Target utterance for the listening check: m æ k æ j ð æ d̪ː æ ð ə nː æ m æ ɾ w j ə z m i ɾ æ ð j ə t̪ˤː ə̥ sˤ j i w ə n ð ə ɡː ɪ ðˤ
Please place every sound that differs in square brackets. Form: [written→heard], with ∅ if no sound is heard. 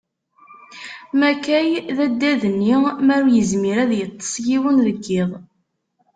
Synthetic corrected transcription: m æ k æ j ð æ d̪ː æ ð ə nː [æ→i] m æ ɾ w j ə z m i ɾ æ ð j ə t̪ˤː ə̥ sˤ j i w ə n ð ə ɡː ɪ ðˤ